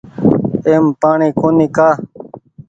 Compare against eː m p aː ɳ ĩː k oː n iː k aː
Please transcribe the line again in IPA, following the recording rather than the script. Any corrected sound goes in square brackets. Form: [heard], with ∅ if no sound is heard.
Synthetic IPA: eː m p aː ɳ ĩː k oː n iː k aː